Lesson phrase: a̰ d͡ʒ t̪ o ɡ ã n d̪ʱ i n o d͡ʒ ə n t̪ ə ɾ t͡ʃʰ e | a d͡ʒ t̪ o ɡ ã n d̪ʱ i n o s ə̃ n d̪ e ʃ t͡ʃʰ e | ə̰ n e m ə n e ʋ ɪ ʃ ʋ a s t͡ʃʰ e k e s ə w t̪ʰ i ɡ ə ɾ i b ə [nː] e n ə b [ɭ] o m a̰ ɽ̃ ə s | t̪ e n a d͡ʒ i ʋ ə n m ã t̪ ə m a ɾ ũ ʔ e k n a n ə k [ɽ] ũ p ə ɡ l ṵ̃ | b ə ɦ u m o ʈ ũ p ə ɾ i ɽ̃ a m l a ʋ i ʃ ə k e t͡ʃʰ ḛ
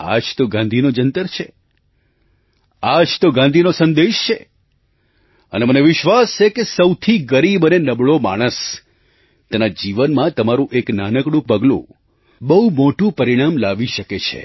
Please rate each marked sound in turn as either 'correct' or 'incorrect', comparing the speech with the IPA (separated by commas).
incorrect, correct, correct